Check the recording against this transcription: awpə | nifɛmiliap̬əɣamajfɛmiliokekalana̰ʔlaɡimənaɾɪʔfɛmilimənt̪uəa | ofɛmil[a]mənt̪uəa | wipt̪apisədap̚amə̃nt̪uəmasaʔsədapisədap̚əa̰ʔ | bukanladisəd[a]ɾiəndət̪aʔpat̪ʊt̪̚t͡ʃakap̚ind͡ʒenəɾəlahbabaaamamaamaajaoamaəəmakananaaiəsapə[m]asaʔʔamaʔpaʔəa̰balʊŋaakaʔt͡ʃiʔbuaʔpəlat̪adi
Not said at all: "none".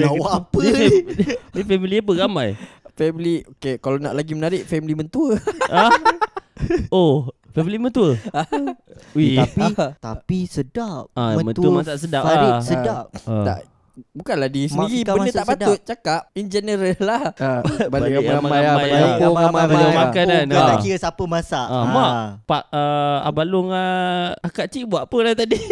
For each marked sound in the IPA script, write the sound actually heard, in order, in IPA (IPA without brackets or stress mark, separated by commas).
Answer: i, i, m